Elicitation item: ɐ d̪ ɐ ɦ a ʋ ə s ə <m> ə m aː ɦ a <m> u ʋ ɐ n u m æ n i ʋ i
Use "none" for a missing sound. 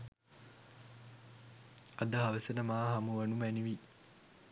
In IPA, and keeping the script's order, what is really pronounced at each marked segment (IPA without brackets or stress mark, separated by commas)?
n, m